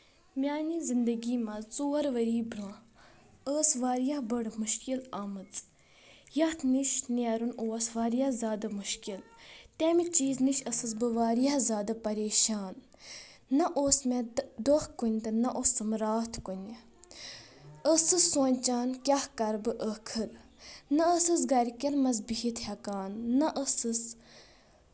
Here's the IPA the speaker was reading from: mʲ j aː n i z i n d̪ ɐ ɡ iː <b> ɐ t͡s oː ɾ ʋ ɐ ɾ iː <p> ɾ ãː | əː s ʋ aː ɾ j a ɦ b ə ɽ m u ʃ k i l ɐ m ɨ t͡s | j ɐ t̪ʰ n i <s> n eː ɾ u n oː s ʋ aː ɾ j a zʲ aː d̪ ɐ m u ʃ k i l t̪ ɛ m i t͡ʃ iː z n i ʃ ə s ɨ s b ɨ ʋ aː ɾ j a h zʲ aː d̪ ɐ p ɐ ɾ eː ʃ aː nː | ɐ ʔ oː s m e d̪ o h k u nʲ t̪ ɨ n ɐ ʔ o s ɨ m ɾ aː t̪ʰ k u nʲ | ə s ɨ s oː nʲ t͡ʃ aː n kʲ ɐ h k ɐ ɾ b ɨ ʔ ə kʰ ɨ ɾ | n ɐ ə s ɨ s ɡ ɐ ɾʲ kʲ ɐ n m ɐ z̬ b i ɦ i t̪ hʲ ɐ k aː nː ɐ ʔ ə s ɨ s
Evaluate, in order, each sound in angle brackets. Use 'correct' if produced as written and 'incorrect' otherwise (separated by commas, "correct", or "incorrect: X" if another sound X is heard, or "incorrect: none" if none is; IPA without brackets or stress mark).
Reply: incorrect: m, incorrect: b, incorrect: ʃ